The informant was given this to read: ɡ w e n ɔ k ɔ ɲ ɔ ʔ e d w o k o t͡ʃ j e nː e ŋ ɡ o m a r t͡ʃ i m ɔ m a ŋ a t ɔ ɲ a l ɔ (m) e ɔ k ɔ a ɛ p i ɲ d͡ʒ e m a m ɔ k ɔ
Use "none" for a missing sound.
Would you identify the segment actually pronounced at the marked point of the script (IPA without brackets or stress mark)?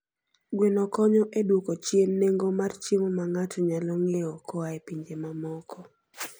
ŋ